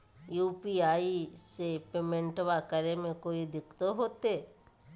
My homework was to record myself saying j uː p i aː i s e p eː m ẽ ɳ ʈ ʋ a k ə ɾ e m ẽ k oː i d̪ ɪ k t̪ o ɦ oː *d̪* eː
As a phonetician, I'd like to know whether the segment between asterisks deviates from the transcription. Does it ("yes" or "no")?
yes